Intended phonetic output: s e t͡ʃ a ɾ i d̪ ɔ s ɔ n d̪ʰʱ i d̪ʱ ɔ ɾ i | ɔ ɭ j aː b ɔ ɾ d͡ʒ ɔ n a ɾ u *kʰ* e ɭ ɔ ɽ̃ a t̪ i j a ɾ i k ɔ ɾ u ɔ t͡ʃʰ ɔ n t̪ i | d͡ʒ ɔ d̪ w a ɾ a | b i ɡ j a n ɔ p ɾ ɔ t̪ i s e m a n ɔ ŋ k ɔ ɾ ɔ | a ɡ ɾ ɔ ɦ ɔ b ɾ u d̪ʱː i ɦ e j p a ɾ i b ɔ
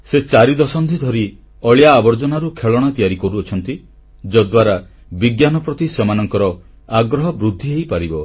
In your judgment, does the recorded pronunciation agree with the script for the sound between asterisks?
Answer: yes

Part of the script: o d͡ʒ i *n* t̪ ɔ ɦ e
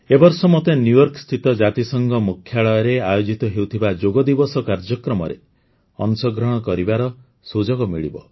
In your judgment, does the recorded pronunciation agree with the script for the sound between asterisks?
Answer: no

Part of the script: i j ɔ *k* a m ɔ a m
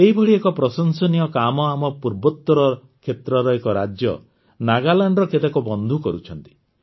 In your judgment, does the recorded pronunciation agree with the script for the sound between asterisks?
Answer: yes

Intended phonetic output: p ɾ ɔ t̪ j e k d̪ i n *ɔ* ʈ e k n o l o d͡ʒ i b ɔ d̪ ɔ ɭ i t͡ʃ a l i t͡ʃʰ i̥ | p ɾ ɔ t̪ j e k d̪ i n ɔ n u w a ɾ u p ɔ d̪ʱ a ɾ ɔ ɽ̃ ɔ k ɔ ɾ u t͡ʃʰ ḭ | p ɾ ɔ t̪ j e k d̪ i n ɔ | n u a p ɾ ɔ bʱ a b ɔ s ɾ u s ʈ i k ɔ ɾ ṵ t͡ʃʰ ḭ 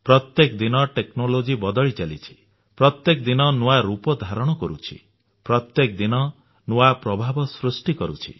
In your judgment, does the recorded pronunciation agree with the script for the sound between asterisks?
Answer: yes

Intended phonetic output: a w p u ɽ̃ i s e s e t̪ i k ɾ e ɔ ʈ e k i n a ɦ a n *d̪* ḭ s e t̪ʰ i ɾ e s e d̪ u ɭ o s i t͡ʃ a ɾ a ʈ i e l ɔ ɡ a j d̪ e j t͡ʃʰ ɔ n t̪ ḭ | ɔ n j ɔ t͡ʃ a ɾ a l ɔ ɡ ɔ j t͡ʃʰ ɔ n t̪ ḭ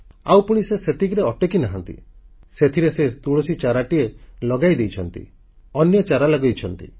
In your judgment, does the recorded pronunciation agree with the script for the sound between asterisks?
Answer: no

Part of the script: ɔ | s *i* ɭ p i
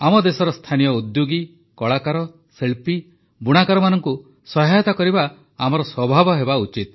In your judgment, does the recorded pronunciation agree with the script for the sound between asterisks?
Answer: no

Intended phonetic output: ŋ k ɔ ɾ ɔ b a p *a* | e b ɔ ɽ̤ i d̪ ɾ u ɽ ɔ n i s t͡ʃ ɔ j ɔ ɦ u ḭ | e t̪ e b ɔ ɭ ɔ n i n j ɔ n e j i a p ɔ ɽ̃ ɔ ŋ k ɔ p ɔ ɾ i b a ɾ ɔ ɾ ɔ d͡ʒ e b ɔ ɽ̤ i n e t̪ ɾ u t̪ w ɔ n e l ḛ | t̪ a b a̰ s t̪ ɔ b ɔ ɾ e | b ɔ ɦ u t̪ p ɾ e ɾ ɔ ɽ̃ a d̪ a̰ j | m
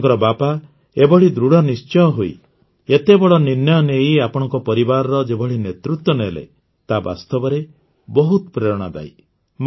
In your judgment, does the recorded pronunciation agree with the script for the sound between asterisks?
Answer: yes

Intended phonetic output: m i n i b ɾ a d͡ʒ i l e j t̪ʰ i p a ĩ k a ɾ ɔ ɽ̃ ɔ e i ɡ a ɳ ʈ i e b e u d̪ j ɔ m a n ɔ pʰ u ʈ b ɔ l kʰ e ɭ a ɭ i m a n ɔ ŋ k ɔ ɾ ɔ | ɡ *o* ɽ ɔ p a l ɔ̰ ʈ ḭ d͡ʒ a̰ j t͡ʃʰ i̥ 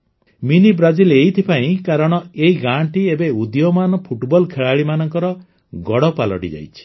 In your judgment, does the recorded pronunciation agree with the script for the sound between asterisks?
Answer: no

